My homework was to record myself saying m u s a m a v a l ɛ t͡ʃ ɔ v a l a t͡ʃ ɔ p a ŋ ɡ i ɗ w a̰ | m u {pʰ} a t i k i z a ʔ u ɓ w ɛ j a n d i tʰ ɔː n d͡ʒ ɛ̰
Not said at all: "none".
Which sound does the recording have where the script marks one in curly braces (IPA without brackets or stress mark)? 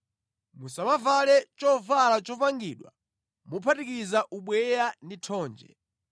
pʰ